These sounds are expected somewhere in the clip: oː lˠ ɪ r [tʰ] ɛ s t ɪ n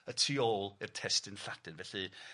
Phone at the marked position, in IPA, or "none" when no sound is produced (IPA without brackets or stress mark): tʰ